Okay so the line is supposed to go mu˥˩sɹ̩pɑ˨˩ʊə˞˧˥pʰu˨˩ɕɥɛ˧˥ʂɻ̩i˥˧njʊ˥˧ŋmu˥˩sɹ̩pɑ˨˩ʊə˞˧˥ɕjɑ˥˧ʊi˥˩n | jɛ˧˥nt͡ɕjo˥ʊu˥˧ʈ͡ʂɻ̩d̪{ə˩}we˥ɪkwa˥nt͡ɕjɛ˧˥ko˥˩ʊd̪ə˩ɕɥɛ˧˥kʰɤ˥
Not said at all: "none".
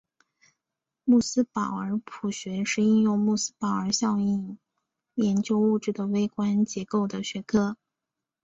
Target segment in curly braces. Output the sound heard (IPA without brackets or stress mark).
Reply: ə˩